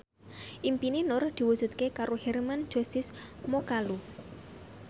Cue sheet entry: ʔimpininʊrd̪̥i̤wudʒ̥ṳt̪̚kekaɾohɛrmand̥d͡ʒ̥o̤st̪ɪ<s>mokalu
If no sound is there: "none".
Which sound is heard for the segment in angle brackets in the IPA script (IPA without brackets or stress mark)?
s